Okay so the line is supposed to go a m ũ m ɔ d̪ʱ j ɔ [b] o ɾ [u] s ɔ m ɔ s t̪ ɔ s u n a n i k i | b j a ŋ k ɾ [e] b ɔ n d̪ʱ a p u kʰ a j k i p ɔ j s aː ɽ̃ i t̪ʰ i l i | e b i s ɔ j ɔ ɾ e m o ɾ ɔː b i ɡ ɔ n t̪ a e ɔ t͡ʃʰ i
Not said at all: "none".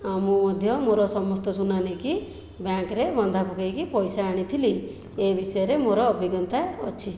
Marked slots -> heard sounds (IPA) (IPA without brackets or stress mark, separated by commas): m, ɔ, e